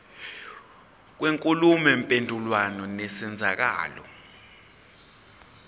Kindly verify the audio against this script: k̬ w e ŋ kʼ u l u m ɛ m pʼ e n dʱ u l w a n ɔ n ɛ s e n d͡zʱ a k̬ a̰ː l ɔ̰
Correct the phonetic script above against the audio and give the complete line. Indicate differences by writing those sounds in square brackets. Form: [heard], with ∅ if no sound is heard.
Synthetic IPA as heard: k̬ w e ŋ kʼ u l u m ɛ m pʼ e n dʱ u l w a n ɔ n ɛ s [ɛ] n d͡zʱ a k̬ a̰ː l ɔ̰